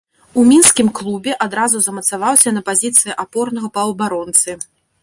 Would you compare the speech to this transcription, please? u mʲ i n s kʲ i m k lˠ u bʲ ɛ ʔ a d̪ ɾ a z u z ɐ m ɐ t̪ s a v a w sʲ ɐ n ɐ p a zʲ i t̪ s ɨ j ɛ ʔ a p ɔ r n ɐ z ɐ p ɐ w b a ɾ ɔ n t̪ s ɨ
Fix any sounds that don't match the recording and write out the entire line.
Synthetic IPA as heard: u mʲ i n s kʲ i m k lˠ u bʲ ɛ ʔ a d̪ ɾ a z u z ɐ m ɐ t̪ s a v a w sʲ ɐ n ɐ p a zʲ i t̪ s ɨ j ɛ ʔ a p ɔ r n ɐ ɣ ɐ p ɐ w b a ɾ ɔ n t̪ s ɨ

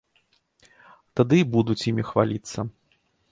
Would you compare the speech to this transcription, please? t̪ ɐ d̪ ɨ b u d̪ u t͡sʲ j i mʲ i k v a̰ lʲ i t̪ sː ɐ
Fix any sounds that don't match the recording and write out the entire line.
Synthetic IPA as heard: t̪ a d̪ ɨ b u d̪ u t͡sʲ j i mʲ i x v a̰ lʲ i t̪ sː ɐ

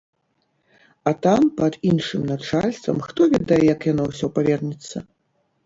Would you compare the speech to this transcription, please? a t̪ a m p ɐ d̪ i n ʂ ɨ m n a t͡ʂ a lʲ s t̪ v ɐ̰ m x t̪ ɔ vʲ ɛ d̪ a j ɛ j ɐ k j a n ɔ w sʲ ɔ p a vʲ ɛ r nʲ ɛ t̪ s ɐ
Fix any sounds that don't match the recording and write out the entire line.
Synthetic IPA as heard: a t̪ a m p ɐ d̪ i n ʂ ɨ m n a t͡ʂ a lʲ s t̪ v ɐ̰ m x t̪ ɔ vʲ ɛ d̪ a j ɛ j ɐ k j a n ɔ w sʲ ɔ p a vʲ ɛ r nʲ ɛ t̪ sː ɐ

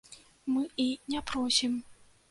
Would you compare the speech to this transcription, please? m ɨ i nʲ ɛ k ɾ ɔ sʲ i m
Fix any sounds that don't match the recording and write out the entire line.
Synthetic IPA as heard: m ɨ i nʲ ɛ p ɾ ɔ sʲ i m

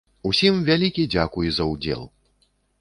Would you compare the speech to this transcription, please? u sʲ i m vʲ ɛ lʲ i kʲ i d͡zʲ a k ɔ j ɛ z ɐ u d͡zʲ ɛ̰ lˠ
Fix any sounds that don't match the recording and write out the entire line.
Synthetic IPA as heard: u sʲ i m vʲ a lʲ i kʲ i d͡zʲ a k u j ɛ z ɐ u d͡zʲ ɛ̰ lˠ

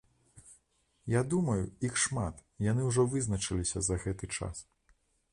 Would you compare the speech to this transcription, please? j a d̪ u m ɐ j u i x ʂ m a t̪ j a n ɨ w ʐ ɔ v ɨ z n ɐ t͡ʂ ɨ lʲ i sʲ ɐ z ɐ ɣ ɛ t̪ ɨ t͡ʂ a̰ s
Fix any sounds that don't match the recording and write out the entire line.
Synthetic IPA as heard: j a d̪ u m ɐ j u i x ʂ m a t̪ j a n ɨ w ʐ ɔ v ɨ z n ɐ t͡ʂ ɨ lʲ i sʲ ɐ z ɐ ɣ ɛ t̪ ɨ t͡ʂ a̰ s

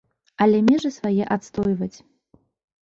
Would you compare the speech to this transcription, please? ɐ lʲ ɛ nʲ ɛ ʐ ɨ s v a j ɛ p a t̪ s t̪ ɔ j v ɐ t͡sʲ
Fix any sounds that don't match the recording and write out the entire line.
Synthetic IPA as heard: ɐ lʲ ɛ mʲ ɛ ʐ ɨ s v a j ɛ ʔ a t̪ s t̪ ɔ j v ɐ t͡sʲ

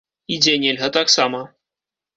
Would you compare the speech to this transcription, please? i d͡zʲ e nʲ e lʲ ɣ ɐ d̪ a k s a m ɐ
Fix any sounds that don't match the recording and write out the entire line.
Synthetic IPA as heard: i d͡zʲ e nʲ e lʲ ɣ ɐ t̪ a k s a m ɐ

